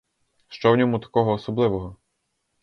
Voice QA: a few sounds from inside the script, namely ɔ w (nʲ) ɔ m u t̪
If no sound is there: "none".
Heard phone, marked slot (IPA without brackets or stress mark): nʲ